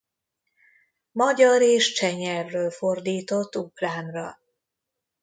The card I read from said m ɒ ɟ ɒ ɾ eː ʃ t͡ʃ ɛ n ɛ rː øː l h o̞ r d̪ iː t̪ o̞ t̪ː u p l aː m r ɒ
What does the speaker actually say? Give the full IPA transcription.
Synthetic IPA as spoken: m ɒ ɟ ɒ ɾ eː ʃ t͡ʃ ɛ ɲ ɛ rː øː l f o̞ r d̪ iː t̪ o̞ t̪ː u k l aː m r ɒ